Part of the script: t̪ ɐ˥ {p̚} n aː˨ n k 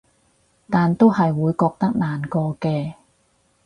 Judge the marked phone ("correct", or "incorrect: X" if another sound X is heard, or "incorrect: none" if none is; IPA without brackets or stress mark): incorrect: k̚